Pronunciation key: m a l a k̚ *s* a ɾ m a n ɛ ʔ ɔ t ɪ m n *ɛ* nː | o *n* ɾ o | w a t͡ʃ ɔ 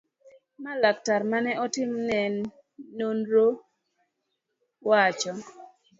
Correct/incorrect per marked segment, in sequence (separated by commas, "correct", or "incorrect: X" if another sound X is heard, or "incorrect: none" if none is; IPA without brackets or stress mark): incorrect: t, correct, correct